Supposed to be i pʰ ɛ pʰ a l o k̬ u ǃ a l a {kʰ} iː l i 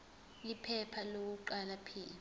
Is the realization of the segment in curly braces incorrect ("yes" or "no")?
yes